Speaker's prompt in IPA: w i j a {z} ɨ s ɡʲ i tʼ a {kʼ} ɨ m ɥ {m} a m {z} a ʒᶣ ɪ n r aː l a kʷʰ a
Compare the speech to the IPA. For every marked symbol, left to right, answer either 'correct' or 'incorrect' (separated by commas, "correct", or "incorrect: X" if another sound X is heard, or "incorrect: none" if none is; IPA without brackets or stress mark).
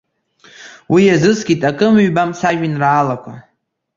correct, correct, incorrect: b, incorrect: s